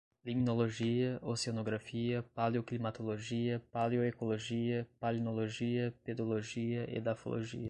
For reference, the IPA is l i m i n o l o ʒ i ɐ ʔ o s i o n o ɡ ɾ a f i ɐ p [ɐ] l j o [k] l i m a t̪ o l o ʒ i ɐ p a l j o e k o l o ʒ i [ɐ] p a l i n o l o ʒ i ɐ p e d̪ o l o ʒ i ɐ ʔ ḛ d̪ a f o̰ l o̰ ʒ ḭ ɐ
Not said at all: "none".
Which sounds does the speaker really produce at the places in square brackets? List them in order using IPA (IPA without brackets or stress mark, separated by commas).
a, k, ɐ